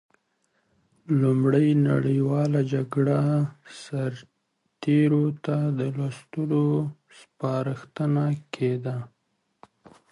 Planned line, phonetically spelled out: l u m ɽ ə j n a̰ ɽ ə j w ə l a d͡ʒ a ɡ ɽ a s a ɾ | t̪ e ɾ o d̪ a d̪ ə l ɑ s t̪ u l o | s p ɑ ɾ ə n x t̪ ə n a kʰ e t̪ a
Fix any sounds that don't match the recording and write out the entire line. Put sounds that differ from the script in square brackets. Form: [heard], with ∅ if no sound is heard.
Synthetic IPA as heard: l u m ɽ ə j n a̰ ɽ ə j w [ɑ] l a d͡ʒ a ɡ ɽ a s a ɾ | t̪ e ɾ o [t̪] a d̪ ə l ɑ s t̪ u l o | s p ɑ ɾ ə [∅] x t̪ ə n a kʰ e [d̪] a